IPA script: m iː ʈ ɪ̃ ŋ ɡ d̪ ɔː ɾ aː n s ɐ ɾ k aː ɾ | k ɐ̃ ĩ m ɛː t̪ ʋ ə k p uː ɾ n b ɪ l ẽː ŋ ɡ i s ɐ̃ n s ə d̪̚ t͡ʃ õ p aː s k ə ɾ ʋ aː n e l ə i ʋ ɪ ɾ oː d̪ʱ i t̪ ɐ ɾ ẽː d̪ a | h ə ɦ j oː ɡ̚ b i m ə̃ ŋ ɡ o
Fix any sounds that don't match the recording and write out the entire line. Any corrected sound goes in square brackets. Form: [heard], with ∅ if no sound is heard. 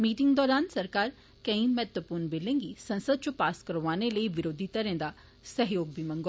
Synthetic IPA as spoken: m iː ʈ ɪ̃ ŋ ɡ d̪ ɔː ɾ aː n s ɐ ɾ k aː ɾ | k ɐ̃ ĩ m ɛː t̪ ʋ ə [∅] p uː ɾ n b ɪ l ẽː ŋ ɡ i s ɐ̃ n s ə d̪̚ t͡ʃ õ p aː s k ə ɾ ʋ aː n e l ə i ʋ ɪ ɾ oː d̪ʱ i t̪ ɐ ɾ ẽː d̪ a | [s] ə ɦ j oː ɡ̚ b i m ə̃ ŋ ɡ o